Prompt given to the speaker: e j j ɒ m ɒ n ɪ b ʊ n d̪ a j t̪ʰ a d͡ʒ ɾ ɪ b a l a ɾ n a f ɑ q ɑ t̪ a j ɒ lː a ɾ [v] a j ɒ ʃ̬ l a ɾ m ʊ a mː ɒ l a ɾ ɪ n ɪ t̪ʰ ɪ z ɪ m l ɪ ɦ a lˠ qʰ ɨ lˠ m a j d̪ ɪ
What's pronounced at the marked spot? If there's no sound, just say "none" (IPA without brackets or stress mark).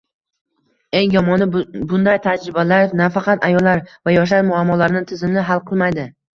v